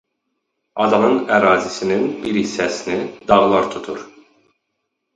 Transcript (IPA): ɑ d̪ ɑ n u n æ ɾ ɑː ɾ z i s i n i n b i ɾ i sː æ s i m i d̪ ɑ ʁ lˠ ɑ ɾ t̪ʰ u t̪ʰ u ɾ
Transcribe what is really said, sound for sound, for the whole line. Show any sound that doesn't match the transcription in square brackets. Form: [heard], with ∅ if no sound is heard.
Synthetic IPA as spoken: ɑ d̪ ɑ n [ɯ] n æ ɾ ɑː [∅] z i s i n i n b i ɾ i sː æ s i [n] i d̪ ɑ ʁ lˠ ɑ ɾ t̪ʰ u t̪ʰ u ɾ